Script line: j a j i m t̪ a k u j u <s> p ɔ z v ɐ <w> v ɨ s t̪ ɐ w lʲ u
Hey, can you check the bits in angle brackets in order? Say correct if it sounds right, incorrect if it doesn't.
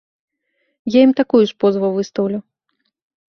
incorrect, correct

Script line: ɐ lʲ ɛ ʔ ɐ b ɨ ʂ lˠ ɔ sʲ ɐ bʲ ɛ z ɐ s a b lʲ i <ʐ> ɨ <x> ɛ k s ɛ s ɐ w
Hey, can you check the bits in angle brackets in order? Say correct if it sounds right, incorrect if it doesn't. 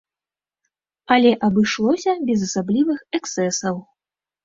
incorrect, correct

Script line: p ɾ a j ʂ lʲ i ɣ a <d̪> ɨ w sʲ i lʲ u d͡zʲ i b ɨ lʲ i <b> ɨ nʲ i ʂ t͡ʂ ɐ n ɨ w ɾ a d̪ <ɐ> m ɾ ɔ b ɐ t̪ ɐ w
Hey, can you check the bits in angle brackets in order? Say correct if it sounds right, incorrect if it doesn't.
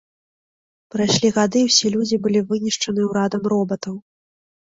correct, incorrect, correct

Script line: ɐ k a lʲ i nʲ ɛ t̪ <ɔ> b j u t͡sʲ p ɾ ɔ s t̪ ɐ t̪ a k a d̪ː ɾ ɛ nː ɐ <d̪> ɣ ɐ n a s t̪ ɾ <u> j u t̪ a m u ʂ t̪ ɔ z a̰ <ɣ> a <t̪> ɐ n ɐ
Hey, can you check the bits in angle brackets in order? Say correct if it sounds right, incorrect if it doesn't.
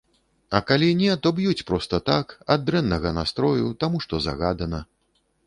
correct, incorrect, incorrect, correct, incorrect

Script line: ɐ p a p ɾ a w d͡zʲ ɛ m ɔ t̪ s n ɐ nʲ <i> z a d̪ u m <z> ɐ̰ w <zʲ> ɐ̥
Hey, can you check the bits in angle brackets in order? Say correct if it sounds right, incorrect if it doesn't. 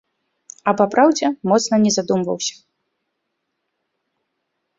incorrect, incorrect, incorrect

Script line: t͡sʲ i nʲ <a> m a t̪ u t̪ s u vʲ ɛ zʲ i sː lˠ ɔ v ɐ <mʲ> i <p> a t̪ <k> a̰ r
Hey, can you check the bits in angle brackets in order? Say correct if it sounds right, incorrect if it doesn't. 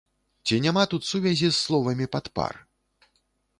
correct, correct, correct, incorrect

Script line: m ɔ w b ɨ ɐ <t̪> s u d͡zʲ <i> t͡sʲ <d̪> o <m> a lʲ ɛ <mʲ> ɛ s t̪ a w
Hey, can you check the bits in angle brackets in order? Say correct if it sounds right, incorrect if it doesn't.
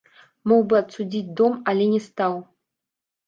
correct, correct, correct, correct, incorrect

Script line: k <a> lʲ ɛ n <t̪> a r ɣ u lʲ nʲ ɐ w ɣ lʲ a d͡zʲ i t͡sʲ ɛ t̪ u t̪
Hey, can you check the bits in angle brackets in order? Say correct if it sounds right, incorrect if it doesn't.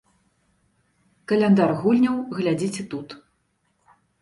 incorrect, incorrect

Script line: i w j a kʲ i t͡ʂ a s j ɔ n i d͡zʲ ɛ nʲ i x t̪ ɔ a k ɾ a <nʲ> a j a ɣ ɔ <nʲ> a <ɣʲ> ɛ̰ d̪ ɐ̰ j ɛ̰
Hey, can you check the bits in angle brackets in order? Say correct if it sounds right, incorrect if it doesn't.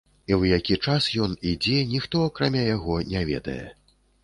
incorrect, correct, incorrect

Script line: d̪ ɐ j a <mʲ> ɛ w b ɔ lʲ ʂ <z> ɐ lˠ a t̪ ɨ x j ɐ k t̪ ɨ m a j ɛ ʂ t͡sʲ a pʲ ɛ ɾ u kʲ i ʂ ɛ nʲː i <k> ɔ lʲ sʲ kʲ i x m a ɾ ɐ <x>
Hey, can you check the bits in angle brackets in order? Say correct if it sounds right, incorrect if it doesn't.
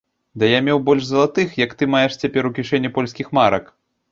correct, correct, incorrect, incorrect

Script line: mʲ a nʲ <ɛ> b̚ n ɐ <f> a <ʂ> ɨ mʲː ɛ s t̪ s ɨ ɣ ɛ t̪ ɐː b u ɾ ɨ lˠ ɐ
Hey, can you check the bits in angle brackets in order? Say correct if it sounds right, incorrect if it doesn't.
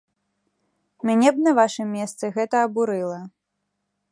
correct, incorrect, correct

